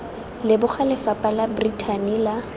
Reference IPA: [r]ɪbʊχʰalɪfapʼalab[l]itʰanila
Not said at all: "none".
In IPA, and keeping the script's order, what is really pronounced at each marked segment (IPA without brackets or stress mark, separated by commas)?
l, r